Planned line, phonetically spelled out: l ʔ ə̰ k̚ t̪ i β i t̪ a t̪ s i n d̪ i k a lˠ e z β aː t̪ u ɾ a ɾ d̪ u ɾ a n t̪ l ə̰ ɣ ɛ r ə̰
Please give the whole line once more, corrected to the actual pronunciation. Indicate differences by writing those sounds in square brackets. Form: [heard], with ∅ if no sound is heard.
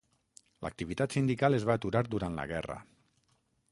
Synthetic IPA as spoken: l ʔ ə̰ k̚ t̪ i β i t̪ a t̪ s i n d̪ i k a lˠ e z β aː t̪ u ɾ a ɾ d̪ u ɾ a n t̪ l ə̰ ɣ ɛ r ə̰